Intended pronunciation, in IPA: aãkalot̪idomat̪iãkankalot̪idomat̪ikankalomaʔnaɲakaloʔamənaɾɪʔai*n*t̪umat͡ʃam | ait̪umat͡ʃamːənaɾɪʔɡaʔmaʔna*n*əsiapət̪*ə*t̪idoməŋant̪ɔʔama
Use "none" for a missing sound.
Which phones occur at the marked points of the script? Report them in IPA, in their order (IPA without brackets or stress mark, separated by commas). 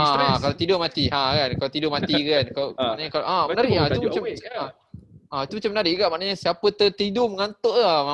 none, ɲ, ə